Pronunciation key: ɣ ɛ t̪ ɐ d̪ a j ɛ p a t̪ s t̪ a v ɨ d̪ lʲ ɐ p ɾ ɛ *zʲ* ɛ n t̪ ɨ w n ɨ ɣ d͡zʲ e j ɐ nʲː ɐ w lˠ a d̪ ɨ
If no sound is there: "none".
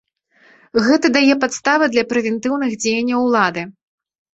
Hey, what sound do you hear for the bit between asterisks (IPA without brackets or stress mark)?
vʲ